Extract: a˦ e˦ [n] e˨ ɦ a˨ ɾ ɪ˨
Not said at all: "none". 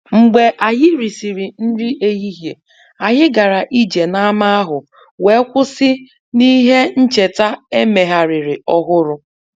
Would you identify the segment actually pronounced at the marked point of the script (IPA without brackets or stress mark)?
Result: m